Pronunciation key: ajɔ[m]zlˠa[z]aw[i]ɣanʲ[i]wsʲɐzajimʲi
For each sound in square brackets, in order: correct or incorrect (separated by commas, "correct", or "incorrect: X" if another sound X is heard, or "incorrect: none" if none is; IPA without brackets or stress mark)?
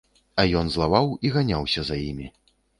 incorrect: n, incorrect: v, correct, incorrect: a